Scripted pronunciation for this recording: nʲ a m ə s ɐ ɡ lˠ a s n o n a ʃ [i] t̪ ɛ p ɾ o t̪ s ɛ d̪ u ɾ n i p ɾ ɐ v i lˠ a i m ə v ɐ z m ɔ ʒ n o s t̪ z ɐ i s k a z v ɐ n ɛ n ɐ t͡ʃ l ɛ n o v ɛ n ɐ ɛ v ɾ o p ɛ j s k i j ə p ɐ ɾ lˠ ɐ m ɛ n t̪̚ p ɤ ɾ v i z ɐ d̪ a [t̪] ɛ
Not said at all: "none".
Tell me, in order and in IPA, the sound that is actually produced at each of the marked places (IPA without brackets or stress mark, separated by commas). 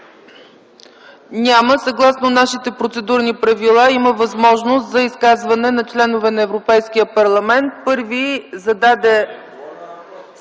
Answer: i, d̪